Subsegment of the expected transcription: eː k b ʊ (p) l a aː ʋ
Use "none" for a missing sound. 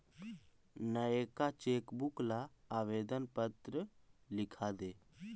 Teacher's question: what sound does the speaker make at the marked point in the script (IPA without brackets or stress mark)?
k